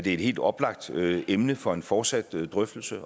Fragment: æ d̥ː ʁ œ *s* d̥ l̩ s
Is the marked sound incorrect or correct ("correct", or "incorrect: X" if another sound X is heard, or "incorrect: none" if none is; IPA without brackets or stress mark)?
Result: incorrect: f